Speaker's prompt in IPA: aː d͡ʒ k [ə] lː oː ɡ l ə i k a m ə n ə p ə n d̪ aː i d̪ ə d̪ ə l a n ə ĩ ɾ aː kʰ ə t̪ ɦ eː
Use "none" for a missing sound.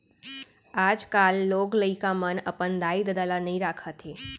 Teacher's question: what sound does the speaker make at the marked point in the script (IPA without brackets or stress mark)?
a